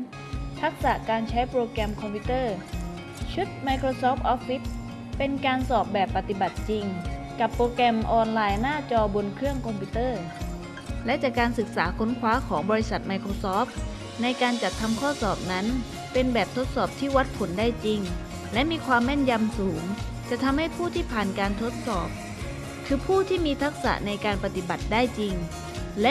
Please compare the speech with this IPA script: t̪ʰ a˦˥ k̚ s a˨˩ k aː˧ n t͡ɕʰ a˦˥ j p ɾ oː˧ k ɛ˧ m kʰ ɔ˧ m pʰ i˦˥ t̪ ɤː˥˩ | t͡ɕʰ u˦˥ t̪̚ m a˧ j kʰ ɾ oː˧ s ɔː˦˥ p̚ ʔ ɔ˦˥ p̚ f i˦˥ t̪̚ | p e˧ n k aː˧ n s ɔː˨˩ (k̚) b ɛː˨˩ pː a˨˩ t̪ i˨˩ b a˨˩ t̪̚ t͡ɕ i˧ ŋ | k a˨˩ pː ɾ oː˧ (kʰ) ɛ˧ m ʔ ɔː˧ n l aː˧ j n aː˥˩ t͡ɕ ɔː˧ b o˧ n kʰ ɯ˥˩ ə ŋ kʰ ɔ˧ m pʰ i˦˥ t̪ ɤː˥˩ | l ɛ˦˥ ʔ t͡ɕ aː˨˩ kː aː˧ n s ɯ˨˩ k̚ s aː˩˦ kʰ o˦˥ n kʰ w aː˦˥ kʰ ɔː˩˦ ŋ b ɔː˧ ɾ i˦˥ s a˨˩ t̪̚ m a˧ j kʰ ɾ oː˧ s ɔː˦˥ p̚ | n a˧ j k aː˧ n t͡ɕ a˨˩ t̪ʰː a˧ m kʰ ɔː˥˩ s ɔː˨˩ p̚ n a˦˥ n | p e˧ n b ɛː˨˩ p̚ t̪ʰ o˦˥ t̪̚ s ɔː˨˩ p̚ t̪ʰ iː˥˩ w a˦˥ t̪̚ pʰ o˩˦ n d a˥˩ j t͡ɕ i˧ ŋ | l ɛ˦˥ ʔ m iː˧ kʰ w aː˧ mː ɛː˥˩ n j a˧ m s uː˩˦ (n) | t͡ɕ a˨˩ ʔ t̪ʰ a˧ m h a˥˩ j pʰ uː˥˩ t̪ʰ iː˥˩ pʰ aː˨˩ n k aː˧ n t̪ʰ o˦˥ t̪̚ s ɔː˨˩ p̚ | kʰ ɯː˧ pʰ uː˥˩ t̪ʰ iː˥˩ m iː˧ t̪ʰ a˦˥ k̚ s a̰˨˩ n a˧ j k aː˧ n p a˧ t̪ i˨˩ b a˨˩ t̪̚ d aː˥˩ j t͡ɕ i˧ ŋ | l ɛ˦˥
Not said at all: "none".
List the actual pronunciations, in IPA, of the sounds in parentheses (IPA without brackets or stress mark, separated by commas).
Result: p̚, k, ŋ